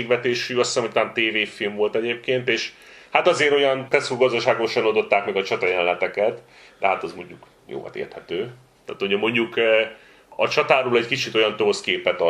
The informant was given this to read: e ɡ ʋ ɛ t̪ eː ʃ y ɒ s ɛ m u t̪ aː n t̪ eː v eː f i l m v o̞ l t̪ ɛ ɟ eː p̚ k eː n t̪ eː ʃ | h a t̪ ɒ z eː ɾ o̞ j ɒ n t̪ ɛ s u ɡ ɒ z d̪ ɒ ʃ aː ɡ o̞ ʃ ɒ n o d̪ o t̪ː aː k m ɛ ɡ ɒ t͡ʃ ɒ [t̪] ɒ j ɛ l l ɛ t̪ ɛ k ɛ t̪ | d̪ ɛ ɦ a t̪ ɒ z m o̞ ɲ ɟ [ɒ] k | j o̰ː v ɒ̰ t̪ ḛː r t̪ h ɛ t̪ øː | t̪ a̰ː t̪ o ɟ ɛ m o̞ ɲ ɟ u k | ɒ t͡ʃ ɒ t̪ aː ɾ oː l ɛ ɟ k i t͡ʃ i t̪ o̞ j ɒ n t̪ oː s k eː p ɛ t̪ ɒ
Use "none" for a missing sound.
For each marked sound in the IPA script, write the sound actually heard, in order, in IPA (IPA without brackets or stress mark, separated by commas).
t̪, u